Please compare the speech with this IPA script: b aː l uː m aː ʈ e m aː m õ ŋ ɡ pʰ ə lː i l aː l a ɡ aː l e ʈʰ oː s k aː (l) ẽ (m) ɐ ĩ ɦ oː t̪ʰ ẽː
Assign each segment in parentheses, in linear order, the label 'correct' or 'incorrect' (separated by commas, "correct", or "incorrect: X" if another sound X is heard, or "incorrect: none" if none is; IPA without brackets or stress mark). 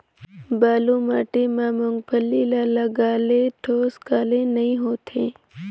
correct, incorrect: n